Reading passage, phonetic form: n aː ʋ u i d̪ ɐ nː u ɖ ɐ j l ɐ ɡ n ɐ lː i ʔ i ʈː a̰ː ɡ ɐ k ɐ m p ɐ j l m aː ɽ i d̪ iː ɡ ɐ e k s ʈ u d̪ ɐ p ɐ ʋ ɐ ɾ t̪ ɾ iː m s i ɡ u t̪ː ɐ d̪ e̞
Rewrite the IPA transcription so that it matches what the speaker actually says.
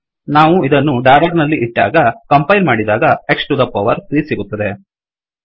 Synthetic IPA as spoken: n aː ʋ u i d̪ ɐ nː u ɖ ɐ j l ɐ ɡ n ɐ lː i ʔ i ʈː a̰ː ɡ ɐ k ɐ m p ɐ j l m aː ɽ i d̪ aː ɡ ɐ e k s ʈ u d̪ ɐ p ɐ ʋ ɐ ɾ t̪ ɾ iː s i ɡ u t̪ː ɐ d̪ e̞